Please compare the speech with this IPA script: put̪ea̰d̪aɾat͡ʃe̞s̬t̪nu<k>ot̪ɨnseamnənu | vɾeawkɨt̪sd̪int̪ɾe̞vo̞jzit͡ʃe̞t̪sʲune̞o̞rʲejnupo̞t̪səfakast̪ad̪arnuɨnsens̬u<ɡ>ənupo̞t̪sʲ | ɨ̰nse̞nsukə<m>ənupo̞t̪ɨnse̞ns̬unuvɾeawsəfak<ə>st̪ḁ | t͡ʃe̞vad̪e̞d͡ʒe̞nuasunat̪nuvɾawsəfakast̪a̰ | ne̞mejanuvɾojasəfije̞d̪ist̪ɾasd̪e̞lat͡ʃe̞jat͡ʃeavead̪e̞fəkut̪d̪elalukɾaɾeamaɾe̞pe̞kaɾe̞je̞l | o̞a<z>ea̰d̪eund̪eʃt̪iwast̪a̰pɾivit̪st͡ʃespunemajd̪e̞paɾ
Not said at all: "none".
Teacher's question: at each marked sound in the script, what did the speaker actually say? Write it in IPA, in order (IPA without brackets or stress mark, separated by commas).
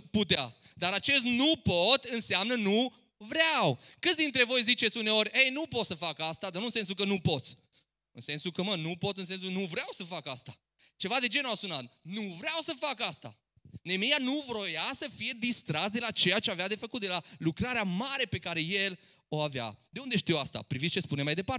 p, k, m, a, v